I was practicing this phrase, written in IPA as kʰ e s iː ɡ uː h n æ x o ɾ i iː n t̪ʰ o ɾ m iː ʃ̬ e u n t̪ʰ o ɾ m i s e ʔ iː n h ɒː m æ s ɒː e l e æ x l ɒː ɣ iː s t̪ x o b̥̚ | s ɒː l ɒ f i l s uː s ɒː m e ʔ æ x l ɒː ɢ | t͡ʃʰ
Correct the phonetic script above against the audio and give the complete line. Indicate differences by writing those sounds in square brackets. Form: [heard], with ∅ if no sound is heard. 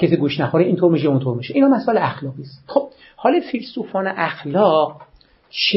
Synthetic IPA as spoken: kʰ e s iː ɡ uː [ʃ] n æ x o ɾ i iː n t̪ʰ o ɾ m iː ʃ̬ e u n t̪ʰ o ɾ m i [ʃ] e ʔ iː n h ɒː m æ s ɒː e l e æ x l ɒː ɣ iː s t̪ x o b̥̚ | [h] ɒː l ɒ f i l s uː [f] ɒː [n] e ʔ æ x l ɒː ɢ | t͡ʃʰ